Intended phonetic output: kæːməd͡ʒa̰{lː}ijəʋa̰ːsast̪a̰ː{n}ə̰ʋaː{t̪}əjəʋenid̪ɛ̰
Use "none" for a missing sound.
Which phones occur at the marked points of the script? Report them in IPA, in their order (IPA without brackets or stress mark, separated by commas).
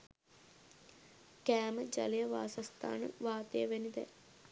l, n, t̪